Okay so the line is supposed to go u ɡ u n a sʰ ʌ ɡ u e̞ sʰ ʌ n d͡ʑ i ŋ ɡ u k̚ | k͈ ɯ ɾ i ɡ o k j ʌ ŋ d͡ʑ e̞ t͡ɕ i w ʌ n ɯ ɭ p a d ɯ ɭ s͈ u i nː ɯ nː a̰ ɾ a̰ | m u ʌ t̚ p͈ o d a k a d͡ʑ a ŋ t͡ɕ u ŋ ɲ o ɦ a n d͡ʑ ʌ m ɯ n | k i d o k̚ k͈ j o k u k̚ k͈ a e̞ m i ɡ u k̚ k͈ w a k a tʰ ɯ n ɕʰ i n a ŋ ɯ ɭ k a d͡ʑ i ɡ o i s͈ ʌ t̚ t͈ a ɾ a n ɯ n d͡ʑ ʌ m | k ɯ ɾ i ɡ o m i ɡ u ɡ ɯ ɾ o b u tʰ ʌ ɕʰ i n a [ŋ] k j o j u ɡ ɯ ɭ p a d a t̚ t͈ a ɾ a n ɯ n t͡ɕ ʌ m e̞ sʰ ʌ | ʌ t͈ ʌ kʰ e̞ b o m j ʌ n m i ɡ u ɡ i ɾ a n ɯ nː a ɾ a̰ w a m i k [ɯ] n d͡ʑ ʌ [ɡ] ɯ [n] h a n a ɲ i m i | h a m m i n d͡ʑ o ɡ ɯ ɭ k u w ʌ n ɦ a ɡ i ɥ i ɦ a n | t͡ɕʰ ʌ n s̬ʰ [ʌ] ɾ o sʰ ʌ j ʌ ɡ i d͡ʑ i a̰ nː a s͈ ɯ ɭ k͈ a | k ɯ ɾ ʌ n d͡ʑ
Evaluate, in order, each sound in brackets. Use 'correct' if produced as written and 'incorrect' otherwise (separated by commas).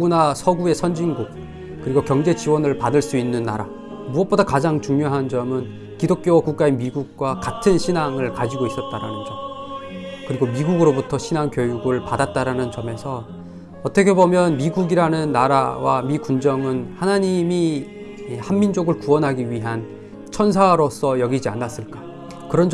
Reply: correct, incorrect, incorrect, correct, incorrect